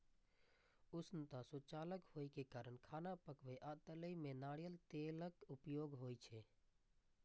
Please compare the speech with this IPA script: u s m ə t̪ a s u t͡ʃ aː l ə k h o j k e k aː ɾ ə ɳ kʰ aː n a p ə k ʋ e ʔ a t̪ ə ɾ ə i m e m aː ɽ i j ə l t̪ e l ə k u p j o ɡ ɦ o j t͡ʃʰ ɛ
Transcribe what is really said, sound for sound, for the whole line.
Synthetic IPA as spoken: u s n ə t̪ a s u t͡ʃ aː l ə k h o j k e k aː ɾ ə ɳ kʰ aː n a p ə k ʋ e ʔ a t̪ ə l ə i m e n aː ɽ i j ə l t̪ e l ə k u p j o ɡ ɦ o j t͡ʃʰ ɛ